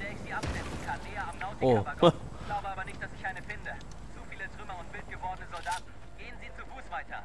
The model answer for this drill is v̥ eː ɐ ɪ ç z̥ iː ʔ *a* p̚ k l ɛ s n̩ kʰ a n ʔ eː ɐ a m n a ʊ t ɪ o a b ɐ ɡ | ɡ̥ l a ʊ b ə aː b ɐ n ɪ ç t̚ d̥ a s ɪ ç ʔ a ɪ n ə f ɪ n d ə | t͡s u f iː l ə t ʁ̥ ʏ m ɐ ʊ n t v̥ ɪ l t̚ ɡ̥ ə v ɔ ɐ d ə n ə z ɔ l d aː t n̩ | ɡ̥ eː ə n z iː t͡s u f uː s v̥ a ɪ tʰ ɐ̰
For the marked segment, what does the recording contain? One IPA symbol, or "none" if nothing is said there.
a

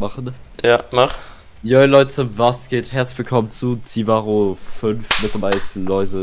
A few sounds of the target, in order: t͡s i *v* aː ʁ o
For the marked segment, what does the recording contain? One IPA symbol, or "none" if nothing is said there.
v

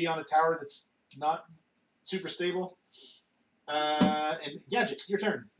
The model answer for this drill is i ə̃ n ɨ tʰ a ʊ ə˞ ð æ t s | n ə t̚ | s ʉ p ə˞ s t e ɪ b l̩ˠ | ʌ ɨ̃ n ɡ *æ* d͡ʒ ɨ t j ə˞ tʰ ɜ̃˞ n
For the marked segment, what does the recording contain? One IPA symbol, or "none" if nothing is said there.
æ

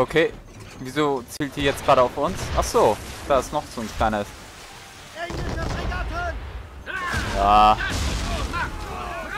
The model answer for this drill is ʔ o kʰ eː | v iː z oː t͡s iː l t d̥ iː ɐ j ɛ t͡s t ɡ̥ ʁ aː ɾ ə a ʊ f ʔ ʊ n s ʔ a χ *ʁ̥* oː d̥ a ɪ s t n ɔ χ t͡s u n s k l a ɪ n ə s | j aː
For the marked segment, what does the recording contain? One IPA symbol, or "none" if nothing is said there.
z̥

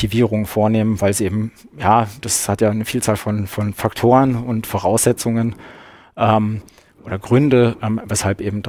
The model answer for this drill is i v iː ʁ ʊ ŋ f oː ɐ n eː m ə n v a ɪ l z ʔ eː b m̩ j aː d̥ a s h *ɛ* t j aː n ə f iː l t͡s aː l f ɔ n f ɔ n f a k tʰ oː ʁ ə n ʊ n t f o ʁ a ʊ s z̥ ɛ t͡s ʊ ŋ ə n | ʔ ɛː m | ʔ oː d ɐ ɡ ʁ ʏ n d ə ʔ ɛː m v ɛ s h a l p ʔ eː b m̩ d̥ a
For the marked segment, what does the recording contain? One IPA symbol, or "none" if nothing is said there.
a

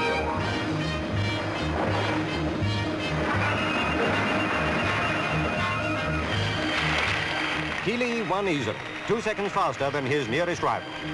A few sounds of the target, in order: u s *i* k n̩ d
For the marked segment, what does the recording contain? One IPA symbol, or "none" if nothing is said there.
ɛ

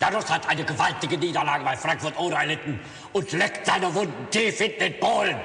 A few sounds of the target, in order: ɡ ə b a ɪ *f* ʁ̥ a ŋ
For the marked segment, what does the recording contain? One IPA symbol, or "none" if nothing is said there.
f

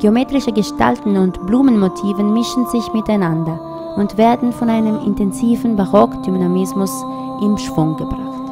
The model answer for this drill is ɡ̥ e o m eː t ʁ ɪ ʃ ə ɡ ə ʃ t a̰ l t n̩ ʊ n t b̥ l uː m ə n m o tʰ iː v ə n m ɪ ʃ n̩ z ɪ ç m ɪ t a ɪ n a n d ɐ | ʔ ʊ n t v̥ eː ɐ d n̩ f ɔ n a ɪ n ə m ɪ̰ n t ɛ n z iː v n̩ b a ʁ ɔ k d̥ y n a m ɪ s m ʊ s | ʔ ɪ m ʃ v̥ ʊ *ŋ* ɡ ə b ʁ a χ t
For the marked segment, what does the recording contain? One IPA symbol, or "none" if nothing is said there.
ŋ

